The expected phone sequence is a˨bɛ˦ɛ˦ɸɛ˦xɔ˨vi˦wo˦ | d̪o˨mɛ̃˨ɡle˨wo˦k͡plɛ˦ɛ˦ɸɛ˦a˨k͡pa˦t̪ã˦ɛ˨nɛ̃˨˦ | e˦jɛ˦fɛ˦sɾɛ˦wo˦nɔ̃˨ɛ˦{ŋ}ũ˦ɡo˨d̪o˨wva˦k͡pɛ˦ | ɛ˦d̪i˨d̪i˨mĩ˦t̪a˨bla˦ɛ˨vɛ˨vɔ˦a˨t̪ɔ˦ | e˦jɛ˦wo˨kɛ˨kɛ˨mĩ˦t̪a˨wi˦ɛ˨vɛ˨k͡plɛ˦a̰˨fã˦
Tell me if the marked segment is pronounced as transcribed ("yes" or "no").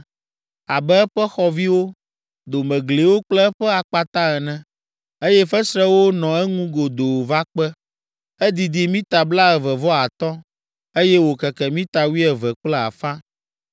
yes